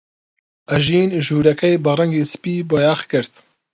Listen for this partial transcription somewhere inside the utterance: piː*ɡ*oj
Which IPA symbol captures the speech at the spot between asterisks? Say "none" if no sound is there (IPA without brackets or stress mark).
b